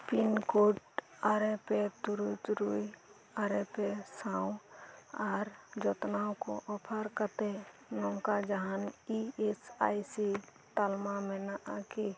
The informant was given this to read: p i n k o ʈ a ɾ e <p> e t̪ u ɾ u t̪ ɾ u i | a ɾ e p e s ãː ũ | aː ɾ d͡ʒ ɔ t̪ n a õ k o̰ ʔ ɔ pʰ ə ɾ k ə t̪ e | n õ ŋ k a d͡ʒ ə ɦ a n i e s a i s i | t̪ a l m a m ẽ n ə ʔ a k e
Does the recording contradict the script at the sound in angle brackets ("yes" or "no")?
no